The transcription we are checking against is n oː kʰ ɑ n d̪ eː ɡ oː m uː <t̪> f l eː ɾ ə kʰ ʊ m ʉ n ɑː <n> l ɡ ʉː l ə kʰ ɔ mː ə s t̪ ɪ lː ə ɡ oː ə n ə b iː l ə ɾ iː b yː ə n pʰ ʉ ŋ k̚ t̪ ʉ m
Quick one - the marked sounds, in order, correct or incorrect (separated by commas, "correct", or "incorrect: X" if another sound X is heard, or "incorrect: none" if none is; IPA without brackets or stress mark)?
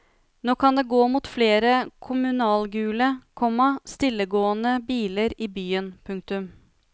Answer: correct, incorrect: none